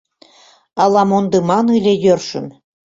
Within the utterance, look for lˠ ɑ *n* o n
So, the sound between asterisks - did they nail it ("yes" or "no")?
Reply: no